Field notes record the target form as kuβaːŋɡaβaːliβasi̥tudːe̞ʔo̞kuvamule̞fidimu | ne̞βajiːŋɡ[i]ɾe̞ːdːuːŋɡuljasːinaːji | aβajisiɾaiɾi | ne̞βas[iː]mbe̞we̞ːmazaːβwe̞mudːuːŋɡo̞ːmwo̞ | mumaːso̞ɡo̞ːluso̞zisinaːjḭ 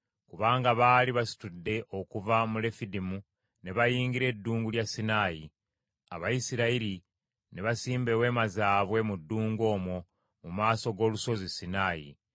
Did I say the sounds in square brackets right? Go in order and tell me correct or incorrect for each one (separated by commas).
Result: correct, correct